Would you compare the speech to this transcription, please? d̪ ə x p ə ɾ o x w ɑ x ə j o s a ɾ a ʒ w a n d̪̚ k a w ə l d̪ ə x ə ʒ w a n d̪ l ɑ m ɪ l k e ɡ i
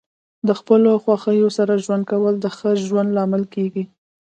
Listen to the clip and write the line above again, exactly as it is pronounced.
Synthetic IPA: d̪ ə x p ə l o x w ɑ x ə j o s a ɾ a ʒ w a n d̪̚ k a w ə l d̪ ə x ə ʒ w a n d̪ l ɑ m ɪ l k e ɡ i